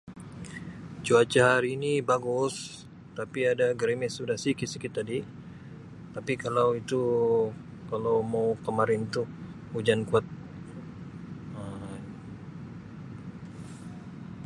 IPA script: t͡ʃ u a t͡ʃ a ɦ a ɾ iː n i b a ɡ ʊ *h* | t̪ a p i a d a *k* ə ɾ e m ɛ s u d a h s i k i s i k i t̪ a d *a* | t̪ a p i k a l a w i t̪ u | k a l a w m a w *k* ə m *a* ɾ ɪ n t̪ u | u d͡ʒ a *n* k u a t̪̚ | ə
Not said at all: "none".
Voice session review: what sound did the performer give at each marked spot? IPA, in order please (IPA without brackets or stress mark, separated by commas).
s, ɡ, i, k, a, n